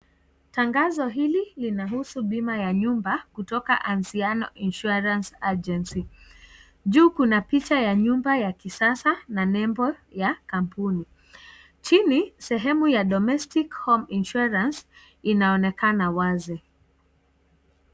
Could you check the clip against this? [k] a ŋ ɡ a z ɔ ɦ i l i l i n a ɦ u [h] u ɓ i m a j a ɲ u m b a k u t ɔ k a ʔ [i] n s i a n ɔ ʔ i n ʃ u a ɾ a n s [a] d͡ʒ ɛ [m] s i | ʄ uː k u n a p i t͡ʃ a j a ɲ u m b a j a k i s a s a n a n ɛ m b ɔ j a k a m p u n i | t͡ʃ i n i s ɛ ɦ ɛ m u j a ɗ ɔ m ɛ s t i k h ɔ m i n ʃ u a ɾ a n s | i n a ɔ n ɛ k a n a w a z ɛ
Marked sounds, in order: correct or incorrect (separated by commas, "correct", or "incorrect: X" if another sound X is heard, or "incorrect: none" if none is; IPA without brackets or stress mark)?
incorrect: t, incorrect: s, incorrect: a, correct, incorrect: n